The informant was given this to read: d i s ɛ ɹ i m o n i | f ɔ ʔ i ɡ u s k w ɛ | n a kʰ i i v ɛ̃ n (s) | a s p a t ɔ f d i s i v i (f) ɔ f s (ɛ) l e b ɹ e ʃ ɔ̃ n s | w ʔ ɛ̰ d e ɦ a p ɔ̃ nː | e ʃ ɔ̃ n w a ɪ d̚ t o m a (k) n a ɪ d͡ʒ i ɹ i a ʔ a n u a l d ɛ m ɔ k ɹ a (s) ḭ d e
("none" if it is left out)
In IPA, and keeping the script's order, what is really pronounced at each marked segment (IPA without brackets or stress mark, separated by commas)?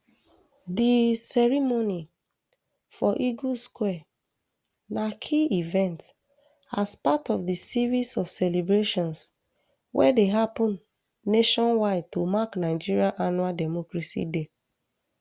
t, s, ɛ, k, s